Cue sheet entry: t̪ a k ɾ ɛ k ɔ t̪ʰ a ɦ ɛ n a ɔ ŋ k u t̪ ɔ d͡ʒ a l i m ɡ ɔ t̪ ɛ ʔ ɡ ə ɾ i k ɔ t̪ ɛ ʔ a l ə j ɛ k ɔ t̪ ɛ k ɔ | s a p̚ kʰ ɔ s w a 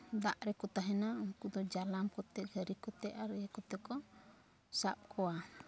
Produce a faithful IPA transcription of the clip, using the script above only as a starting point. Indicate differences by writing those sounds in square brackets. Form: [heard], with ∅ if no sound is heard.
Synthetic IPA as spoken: [d̪] a [ʔ] ɾ ɛ k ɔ [t̪] a ɦ ɛ n a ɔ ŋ k u [d̪] ɔ d͡ʒ a l [a] m [k] ɔ t̪ ɛ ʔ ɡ ə ɾ i k ɔ t̪ ɛ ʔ a [ɾ] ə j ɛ k ɔ t̪ ɛ k ɔ | s a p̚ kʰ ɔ [∅] w a